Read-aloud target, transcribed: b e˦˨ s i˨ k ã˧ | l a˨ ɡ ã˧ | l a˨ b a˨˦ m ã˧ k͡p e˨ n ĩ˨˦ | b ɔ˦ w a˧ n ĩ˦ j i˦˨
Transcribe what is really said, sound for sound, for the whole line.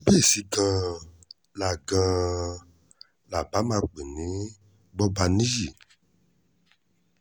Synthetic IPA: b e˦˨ s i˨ ɡ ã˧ | l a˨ ɡ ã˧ | l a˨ b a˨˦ m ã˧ k͡p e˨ n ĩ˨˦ | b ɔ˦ b a˧ n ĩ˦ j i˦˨